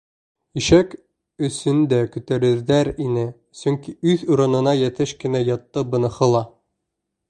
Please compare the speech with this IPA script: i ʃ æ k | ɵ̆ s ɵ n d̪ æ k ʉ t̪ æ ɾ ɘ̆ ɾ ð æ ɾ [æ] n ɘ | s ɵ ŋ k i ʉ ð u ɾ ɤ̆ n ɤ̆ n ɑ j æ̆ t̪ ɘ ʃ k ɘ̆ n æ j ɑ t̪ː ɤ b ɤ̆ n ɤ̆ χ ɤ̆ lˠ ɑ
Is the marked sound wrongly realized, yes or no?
yes